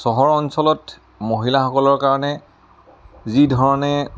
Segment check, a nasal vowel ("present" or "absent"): absent